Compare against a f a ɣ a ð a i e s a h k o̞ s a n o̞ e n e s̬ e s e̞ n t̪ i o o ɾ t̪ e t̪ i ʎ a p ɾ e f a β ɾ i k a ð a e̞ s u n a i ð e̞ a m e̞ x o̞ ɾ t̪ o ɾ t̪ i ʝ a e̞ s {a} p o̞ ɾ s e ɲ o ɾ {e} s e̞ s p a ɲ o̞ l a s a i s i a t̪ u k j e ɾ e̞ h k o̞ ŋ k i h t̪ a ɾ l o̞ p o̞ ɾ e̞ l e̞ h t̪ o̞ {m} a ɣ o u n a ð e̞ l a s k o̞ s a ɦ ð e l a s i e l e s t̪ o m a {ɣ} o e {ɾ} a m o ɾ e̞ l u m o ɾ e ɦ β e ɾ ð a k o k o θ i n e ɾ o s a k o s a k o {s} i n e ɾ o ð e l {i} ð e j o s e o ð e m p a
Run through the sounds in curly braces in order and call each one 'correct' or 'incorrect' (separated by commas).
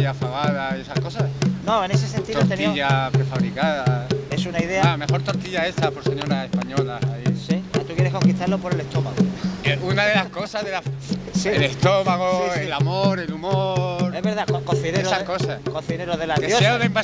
correct, incorrect, correct, correct, incorrect, incorrect, incorrect